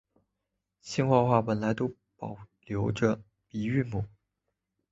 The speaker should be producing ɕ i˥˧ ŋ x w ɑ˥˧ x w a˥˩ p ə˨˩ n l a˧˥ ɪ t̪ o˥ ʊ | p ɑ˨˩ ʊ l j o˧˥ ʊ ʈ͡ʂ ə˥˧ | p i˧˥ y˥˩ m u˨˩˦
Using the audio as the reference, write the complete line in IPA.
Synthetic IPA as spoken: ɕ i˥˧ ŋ x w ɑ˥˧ x w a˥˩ p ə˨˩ n l a˧˥ ɪ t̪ o˥ ʊ | p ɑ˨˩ ʊ l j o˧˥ ʊ ʈ͡ʂ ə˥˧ | p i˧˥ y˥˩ m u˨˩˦